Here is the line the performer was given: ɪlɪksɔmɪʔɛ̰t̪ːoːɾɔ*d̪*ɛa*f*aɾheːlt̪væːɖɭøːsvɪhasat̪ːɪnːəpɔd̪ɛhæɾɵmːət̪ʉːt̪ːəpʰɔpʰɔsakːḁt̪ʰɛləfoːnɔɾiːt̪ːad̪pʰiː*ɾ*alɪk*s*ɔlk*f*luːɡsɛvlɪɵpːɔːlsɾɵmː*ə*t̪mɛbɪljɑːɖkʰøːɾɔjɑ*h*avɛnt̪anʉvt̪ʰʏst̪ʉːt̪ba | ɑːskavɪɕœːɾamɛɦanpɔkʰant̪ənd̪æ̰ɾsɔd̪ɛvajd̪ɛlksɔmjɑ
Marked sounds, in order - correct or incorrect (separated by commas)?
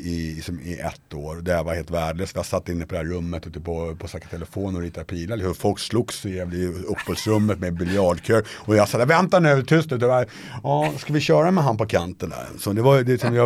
correct, incorrect, incorrect, incorrect, incorrect, correct, incorrect